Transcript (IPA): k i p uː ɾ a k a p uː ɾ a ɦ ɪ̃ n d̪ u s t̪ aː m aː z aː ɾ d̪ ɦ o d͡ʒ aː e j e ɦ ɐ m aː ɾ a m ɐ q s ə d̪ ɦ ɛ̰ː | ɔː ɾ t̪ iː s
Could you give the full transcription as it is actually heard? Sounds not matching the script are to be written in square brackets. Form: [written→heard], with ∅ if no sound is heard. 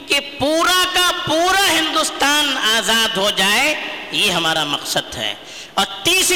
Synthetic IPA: k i p uː ɾ a k a p uː ɾ a ɦ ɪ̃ n d̪ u s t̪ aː [m→n] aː z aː [ɾ→∅] d̪ ɦ o d͡ʒ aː e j e ɦ ɐ m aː ɾ a m ɐ q s ə d̪ ɦ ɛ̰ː | ɔː ɾ t̪ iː s